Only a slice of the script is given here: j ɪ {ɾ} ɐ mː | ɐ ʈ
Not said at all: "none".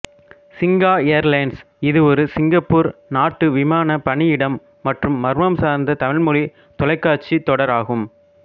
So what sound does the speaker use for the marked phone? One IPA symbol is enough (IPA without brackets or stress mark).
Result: ɽ